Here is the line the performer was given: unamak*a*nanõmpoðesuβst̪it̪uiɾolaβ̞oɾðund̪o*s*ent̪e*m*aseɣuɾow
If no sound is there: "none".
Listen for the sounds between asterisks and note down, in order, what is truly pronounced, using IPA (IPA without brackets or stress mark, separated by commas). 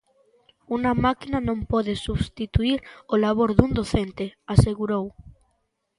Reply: i, θ, none